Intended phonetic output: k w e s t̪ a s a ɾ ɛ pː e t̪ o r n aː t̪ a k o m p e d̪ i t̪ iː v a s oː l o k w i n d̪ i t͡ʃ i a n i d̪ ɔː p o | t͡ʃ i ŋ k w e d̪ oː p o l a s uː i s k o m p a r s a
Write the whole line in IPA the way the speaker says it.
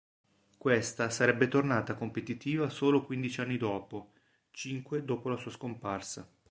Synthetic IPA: k w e s t̪ a s a ɾ ɛ bː e t̪ o r n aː t̪ a k o m p e t̪ i t̪ iː v a s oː l o k w i n d̪ i t͡ʃ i a nː i d̪ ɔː p o | t͡ʃ i ŋ k w e d̪ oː p o l a s uː a s k o m p a r s a